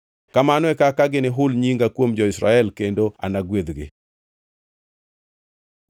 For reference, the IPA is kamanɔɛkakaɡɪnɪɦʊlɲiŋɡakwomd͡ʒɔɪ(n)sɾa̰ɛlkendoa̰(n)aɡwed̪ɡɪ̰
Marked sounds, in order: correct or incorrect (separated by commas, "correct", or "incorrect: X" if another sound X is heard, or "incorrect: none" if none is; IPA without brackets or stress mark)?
incorrect: none, correct